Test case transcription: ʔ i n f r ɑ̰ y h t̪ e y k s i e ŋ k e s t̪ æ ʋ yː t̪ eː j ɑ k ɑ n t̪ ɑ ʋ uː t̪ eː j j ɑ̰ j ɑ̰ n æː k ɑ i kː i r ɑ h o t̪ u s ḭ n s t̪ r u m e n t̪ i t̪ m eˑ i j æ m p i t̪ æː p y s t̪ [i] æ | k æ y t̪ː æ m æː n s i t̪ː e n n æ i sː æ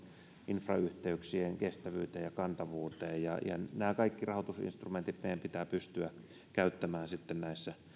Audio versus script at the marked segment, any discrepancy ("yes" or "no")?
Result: yes